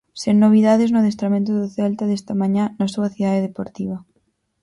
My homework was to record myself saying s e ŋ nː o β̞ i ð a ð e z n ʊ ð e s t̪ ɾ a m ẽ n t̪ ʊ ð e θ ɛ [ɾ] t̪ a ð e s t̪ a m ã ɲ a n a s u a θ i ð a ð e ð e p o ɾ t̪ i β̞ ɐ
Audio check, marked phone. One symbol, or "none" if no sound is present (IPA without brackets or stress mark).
l